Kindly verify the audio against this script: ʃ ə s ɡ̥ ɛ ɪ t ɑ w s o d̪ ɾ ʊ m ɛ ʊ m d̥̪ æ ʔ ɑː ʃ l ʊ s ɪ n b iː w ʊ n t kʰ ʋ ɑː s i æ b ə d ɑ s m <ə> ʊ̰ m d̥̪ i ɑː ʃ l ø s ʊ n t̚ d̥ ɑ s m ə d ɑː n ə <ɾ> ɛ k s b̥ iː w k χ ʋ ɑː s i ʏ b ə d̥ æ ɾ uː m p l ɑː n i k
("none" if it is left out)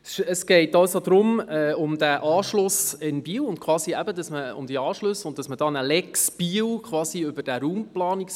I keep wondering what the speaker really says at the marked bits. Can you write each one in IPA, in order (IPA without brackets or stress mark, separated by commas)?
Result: ə, l